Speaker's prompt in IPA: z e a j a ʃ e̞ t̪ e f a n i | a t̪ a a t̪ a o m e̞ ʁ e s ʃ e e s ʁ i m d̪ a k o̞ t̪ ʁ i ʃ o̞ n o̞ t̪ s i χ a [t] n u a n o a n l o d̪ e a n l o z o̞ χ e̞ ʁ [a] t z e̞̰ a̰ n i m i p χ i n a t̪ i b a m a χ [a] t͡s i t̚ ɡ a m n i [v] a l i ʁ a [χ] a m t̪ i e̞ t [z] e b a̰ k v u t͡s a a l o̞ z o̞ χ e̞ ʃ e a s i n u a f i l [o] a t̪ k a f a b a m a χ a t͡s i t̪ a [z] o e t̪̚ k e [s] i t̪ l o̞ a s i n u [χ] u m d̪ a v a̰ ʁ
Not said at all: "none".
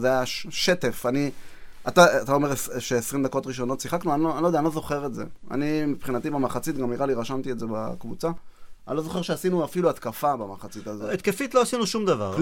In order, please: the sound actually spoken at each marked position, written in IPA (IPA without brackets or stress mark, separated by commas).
k, e, a, ʁ, ʃ, z, u, z, f, ʃ